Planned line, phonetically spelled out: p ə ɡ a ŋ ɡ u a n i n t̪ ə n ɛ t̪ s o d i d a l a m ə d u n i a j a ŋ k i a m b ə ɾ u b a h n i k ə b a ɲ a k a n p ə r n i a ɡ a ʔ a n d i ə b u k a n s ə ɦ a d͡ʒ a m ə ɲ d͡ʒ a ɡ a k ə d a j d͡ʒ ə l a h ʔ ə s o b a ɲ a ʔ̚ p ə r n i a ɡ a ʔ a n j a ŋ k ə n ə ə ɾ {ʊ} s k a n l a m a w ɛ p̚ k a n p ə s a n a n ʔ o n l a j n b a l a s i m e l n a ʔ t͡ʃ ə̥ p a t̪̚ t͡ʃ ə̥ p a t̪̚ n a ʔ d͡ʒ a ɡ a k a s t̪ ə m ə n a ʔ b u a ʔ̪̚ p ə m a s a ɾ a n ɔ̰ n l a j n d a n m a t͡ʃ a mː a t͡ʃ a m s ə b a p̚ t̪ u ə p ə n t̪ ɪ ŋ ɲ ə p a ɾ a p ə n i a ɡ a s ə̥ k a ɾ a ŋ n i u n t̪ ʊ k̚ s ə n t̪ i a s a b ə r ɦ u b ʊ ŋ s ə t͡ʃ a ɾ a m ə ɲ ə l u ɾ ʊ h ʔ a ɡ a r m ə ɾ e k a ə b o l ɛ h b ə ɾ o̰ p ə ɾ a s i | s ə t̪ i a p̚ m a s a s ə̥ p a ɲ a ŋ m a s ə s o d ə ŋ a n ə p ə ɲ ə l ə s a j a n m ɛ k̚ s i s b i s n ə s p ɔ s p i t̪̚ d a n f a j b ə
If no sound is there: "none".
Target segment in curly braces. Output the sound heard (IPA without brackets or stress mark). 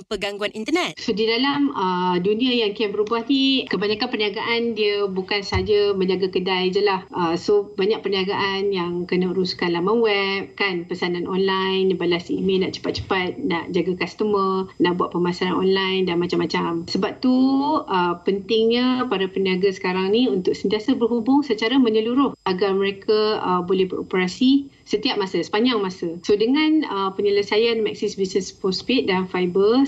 u